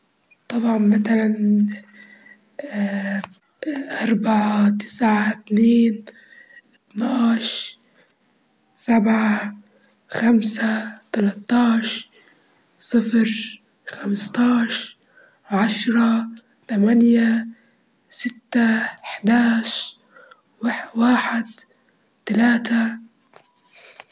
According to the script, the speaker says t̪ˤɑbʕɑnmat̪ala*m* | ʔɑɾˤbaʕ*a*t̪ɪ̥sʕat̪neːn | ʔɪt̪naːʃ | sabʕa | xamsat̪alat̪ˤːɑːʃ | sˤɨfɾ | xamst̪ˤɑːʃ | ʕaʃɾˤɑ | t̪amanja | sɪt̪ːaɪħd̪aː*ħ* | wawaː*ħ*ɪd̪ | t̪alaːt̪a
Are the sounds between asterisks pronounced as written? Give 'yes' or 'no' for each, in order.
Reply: no, yes, no, yes

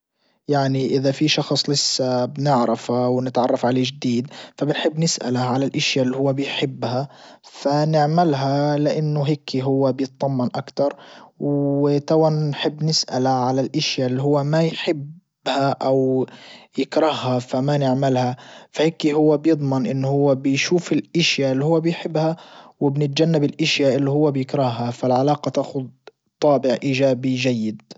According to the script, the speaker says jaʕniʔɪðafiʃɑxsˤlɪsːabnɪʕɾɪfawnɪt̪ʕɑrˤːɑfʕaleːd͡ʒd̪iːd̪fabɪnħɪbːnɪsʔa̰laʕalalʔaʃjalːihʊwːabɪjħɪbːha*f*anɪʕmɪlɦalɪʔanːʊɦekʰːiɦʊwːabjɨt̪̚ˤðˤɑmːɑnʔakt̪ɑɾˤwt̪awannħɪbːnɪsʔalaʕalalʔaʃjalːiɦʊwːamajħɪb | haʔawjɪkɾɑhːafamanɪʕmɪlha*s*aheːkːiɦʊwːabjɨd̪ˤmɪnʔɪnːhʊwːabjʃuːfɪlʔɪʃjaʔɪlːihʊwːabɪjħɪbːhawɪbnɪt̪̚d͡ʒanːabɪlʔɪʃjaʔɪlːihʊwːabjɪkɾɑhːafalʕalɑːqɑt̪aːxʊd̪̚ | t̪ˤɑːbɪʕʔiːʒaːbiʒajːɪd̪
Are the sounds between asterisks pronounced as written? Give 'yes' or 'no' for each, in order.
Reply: yes, no

